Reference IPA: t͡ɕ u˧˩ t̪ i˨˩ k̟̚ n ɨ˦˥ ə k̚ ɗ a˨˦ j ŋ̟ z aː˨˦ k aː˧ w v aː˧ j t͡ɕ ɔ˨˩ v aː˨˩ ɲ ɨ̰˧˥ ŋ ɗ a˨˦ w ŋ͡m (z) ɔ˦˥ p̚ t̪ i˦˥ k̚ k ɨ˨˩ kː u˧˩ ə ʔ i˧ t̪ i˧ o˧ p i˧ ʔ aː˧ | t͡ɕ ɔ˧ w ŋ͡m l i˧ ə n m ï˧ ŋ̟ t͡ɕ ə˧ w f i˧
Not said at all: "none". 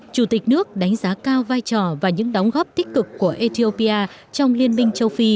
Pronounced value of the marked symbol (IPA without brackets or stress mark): ɣ